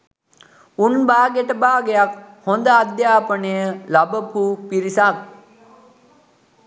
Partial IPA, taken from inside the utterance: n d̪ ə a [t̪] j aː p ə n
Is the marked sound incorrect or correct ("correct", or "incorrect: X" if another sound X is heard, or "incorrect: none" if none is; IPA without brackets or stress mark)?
incorrect: d̪